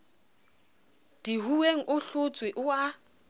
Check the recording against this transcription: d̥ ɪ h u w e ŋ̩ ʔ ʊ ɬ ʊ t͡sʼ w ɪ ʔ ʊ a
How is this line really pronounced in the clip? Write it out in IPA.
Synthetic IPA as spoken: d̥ i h u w e ŋ̩ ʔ ʊ ɬ ʊ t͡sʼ w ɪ ʔ ʊ a